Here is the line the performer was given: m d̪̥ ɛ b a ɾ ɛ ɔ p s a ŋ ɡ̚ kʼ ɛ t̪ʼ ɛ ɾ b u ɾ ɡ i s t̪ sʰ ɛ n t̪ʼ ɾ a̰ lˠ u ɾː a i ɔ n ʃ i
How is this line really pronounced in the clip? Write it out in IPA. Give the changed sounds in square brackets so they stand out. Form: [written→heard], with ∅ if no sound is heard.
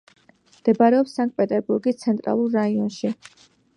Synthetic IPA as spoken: m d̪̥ ɛ b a ɾ ɛ ɔ p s a ŋ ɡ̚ [kʼ→pʼ] ɛ t̪ʼ ɛ ɾ b u ɾ ɡ i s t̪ sʰ ɛ n t̪ʼ ɾ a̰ lˠ u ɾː a i ɔ n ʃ i